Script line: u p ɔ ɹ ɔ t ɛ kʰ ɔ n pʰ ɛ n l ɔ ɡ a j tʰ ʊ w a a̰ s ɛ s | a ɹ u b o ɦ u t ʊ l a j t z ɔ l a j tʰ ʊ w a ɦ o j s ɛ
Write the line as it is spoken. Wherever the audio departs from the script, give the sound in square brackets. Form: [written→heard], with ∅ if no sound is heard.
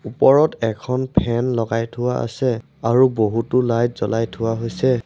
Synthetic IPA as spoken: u p ɔ ɹ ɔ t ɛ kʰ ɔ n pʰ ɛ n l ɔ ɡ a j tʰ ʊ w a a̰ s ɛ [s→∅] | a ɹ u b o ɦ u t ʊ l a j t z ɔ l a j tʰ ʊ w a ɦ o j s ɛ

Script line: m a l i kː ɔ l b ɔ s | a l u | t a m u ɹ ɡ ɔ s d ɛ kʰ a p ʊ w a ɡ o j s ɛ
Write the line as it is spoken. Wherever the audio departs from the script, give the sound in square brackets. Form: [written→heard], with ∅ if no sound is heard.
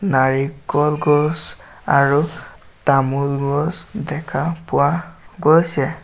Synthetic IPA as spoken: [m→n] a [l→ɹ] i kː ɔ l [b→ɡ] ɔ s | a [l→ɹ] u | t a m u [ɹ→l] ɡ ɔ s d ɛ kʰ a p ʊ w a ɡ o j s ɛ

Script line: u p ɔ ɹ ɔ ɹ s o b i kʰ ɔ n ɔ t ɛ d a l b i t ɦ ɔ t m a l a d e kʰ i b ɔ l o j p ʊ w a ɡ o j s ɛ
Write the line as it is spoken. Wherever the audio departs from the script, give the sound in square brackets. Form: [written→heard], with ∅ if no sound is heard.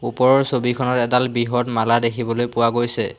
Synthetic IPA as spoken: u p ɔ ɹ ɔ ɹ s o b i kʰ ɔ n ɔ t ɛ d a l b i [t→∅] ɦ ɔ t m a l a d e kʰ i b ɔ l o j p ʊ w a ɡ o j s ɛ

